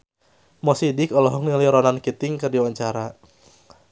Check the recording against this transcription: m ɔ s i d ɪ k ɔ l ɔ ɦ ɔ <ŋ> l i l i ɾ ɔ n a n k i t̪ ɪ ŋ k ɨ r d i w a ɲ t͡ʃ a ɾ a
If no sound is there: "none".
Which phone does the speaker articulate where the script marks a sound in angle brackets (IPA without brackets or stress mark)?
ŋ